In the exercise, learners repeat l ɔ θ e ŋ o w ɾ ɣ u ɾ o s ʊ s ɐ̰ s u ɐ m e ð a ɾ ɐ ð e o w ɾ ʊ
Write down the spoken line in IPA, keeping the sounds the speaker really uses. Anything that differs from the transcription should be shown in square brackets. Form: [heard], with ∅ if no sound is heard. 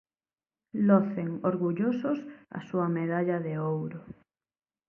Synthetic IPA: l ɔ θ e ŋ o [∅] ɾ ɣ u [ʎ] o s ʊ s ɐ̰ s u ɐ m e ð a [ʎ] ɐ ð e o w ɾ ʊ